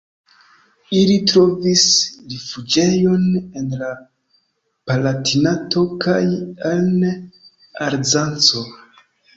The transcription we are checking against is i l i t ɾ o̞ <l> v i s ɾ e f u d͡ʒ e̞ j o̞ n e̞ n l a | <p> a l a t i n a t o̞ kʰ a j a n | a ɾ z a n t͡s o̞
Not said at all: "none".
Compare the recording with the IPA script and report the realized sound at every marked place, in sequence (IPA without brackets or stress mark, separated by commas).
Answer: none, p